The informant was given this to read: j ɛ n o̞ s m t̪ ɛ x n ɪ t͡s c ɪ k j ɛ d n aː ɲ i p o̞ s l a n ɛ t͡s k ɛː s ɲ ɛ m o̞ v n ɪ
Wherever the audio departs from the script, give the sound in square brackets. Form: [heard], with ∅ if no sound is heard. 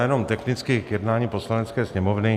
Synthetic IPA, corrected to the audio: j ɛ n o̞ [∅] m t̪ ɛ x n ɪ t͡s [k] ɪ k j ɛ d n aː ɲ i p o̞ s l a n ɛ t͡s k ɛː s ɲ ɛ m o̞ v n ɪ

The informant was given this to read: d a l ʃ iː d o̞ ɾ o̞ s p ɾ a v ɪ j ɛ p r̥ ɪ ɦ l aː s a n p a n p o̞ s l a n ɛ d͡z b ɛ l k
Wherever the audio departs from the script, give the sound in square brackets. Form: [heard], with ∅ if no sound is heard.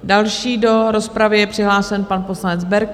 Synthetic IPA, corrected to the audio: d a l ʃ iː d o̞ ɾ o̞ s p ɾ a v ɪ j ɛ p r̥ ɪ ɦ l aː s [ɛ] n p a n p o̞ s l a n ɛ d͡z b ɛ [ɾ] k

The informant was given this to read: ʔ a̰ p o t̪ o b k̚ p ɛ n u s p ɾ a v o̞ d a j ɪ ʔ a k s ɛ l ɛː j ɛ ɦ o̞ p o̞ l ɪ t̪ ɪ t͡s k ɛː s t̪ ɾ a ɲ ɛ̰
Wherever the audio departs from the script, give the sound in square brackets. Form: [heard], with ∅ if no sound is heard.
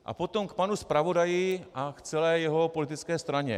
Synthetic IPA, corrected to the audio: ʔ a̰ p o t̪ o [m] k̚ p [a] n u s p ɾ a v o̞ d a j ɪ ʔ a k [t͡s] ɛ l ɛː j ɛ ɦ o̞ p o̞ l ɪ t̪ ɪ t͡s k ɛː s t̪ ɾ a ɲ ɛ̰

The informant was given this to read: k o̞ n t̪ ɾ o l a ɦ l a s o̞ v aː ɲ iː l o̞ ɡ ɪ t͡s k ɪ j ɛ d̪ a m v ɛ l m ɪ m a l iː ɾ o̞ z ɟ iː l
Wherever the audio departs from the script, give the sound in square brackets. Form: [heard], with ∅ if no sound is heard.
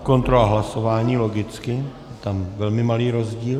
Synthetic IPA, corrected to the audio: k o̞ n t̪ ɾ o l a ɦ l a s o̞ v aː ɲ iː l o̞ ɡ ɪ t͡s k ɪ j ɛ [t̪] a m v ɛ l m ɪ m a l iː ɾ o̞ z ɟ iː l

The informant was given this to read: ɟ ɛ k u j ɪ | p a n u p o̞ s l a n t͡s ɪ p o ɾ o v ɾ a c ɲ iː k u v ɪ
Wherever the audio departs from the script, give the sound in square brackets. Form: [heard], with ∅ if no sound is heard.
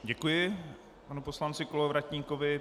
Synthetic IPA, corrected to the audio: ɟ ɛ k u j ɪ | p a n u p o̞ s l a n t͡s ɪ [k] o [l] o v ɾ a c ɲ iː k [o] v ɪ

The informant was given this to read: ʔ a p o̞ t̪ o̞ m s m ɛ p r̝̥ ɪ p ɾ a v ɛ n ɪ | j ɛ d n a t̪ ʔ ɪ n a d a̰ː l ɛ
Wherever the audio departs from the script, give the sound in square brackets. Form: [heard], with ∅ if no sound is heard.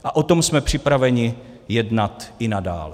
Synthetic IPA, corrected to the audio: ʔ a [ʔ] o̞ t̪ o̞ m s m ɛ p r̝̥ ɪ p ɾ a v ɛ [ɲ] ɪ | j ɛ d n a t̪ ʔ ɪ n a d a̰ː l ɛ

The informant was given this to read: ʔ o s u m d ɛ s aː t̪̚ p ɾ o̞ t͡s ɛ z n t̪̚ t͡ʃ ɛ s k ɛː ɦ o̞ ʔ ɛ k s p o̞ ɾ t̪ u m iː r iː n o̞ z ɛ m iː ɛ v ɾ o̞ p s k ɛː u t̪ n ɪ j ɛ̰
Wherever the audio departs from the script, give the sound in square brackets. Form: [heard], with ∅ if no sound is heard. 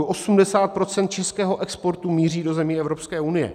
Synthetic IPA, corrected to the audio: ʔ o s u m d ɛ s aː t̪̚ p ɾ o̞ t͡s ɛ [∅] n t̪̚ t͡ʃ ɛ s k ɛː ɦ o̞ ʔ ɛ k s p o̞ ɾ t̪ u m iː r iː [d] o̞ z ɛ m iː ɛ v ɾ o̞ p s k ɛː u [∅] n ɪ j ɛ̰

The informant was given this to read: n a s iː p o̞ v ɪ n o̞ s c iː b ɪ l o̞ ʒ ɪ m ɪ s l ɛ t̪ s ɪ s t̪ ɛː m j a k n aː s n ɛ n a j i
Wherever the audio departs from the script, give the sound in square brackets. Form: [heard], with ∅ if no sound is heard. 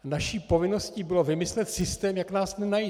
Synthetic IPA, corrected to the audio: n a [ʃ] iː p o̞ v ɪ n o̞ s c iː b ɪ l o̞ [v] ɪ m ɪ s l ɛ t̪ s ɪ s t̪ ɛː m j a k n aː s n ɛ n a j i

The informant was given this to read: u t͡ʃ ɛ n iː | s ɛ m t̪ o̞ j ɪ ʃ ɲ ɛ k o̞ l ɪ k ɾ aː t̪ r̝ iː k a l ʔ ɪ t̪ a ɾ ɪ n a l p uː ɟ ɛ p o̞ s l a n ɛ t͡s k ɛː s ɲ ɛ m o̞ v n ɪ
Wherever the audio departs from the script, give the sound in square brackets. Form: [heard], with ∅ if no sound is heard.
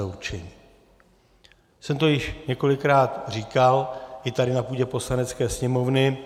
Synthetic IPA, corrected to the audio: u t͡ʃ ɛ [ɲ] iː | s ɛ m t̪ o̞ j ɪ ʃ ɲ ɛ k o̞ l ɪ k ɾ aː t̪ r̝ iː k a l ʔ ɪ t̪ a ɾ ɪ n a [∅] p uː ɟ ɛ p o̞ s l a n ɛ t͡s k ɛː s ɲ ɛ m o̞ v n ɪ

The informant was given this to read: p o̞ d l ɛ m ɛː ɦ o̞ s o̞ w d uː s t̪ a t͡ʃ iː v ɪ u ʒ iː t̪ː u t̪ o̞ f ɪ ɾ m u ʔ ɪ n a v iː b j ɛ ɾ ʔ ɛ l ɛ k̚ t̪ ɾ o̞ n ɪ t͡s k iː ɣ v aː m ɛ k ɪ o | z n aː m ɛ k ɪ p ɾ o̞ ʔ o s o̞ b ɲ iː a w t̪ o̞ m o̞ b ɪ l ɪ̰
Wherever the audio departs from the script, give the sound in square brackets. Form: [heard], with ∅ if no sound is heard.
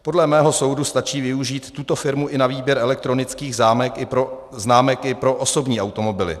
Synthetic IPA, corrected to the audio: p o̞ d l ɛ m ɛː ɦ o̞ s o̞ w d [u] s t̪ a t͡ʃ iː v ɪ u ʒ iː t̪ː u t̪ o̞ f ɪ ɾ m u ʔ ɪ n a v iː b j ɛ ɾ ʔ ɛ l ɛ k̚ t̪ ɾ o̞ n ɪ t͡s k iː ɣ [z] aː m ɛ k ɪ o | z n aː m ɛ k ɪ p ɾ o̞ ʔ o s o̞ b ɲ iː a w t̪ o̞ m o̞ b ɪ l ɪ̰

